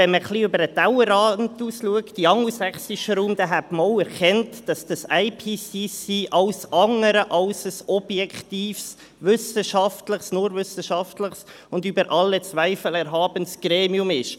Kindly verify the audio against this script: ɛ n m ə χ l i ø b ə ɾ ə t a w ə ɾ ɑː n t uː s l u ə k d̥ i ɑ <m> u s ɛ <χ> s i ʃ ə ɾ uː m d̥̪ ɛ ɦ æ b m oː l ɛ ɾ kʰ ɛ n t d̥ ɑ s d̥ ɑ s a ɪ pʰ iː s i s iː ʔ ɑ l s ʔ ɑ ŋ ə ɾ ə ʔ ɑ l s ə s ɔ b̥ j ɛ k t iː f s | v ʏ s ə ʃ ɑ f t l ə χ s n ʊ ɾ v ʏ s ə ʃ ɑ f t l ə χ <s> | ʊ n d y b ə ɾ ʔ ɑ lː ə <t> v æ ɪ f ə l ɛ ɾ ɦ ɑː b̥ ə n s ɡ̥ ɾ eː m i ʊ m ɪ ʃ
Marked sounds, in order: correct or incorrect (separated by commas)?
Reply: incorrect, correct, correct, incorrect